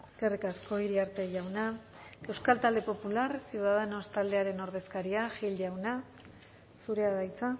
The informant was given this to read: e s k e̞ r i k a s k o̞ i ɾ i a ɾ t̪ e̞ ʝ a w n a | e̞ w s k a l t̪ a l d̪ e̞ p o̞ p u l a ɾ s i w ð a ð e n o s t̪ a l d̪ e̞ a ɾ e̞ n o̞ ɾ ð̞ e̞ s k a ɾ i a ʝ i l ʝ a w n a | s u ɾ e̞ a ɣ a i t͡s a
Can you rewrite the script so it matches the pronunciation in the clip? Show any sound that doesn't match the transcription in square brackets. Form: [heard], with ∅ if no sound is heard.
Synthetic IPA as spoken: e s k e̞ r i k a s k o̞ i ɾ i a ɾ t̪ e̞ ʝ a w n a | e̞ w s k a l t̪ a l d̪ e̞ p o̞ p u l a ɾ s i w ð a ð e n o s t̪ a l d̪ e̞ a ɾ e̞ n o̞ ɾ ð̞ e̞ s k a ɾ i a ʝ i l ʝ a w n a | s u ɾ e̞ a [ð] a [j] t͡s a

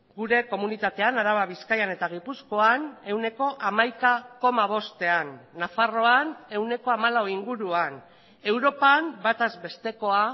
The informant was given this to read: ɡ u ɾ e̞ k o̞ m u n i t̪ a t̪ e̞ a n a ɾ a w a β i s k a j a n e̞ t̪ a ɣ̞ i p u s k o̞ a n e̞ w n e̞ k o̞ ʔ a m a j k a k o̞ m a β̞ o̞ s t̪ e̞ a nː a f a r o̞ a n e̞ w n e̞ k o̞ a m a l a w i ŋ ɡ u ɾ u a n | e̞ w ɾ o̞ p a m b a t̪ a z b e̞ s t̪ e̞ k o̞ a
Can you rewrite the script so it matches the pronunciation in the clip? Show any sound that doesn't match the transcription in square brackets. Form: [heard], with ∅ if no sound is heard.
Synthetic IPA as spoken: ɡ u ɾ e̞ k o̞ m u n i t̪ a t̪ e̞ a n a ɾ a [β] a β i s k a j a n e̞ t̪ a ɣ̞ i p u s k o̞ a n e̞ w n e̞ k o̞ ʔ a m a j k a k o̞ m a β̞ o̞ s t̪ e̞ a nː a f a r o̞ a n e̞ w n e̞ k o̞ a m a l a w i ŋ ɡ u ɾ u a n | e̞ w ɾ o̞ p a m b a t̪ a z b e̞ s t̪ e̞ k o̞ a

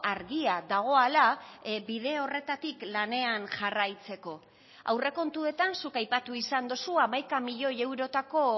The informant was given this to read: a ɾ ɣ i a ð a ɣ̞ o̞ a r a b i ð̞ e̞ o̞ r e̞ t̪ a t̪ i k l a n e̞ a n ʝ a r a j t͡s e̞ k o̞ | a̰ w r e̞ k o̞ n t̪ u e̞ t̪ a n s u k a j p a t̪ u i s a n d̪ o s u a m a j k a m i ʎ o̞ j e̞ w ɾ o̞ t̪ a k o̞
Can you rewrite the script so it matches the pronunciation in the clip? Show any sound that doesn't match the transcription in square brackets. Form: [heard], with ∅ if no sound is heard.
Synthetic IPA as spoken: a ɾ ɣ i a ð a ɣ̞ o̞ a [l] a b i ð̞ e̞ o̞ r e̞ t̪ a t̪ i k l a n e̞ a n ʝ a r a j t͡s e̞ k o̞ | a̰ w r e̞ k o̞ n t̪ u e̞ t̪ a n s u k a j p a t̪ u i s a n d̪ o s u a m a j k a m i ʎ o̞ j e̞ w ɾ o̞ t̪ a k o̞

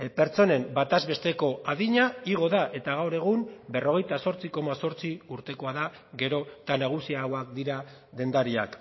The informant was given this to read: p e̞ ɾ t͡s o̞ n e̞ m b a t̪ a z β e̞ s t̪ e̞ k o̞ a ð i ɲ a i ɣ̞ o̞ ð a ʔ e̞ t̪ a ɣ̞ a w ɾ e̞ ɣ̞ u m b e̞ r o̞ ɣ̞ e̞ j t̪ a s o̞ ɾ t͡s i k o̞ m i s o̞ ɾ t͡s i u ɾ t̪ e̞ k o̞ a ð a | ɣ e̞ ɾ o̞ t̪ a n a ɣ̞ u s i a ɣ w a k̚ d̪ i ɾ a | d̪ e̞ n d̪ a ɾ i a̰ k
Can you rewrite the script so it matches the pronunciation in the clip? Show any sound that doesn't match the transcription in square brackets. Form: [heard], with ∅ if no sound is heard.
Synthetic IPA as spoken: p e̞ ɾ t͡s o̞ n e̞ m b a t̪ a z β e̞ s t̪ e̞ k o̞ a ð i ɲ a i ɣ̞ o̞ ð a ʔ e̞ t̪ a ɣ̞ a w ɾ e̞ ɣ̞ u m b e̞ r o̞ ɣ̞ e̞ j t̪ a s o̞ ɾ t͡s i k o̞ m [a] s o̞ ɾ t͡s i u ɾ t̪ e̞ k o̞ a ð a | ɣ e̞ ɾ o̞ t̪ a n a ɣ̞ u s i a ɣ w a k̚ d̪ i ɾ a | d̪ e̞ n d̪ a ɾ i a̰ k

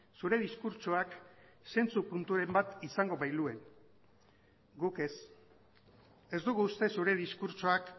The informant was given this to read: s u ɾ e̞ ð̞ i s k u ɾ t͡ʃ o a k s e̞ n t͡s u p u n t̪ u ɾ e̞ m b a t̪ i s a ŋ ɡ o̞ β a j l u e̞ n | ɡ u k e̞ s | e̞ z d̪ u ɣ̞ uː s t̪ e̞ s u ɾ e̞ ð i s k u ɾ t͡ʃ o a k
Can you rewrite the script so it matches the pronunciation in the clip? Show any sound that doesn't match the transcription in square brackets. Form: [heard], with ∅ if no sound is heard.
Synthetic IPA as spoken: s u ɾ e̞ ð̞ i s k u ɾ t͡ʃ o a k s e̞ n t͡s u p u n t̪ u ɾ e̞ m b a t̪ i s a ŋ ɡ o̞ β a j l u e̞ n | ɡ u k e̞ s | e̞ z d̪ u ɣ̞ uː s t̪ e̞ s u ɾ e̞ ð i s k u ɾ t͡ʃ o a k

